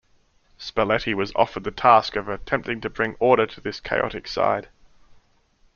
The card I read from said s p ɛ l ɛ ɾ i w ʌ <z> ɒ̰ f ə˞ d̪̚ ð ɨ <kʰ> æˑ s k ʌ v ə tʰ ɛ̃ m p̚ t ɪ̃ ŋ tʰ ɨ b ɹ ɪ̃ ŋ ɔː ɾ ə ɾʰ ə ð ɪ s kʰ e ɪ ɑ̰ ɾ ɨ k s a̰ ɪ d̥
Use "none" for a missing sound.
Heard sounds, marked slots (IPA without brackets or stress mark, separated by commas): z, tʰ